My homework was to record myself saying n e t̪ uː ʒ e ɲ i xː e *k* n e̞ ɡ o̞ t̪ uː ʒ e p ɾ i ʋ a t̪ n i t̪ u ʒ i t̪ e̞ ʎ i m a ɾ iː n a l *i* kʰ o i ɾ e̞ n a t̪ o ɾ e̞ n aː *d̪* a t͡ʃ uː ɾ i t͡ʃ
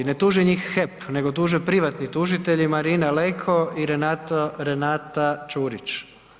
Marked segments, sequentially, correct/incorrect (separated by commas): incorrect, incorrect, incorrect